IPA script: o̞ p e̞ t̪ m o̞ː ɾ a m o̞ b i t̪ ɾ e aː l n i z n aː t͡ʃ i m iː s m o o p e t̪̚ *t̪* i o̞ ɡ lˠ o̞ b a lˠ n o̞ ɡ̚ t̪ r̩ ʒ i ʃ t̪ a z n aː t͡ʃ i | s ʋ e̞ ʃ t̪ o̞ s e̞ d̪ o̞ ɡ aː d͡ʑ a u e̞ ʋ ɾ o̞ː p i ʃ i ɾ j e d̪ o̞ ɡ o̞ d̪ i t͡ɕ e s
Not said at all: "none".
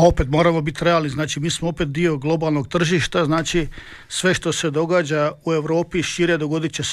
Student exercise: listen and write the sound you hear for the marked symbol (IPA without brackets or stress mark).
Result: d̪